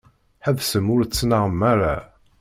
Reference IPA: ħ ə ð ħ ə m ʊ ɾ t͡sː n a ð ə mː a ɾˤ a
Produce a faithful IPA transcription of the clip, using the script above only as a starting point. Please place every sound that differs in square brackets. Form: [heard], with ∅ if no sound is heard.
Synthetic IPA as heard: ħ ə ð [s] ə m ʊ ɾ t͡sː n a [ʁ] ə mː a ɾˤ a